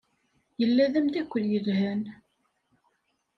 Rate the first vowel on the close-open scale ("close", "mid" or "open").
mid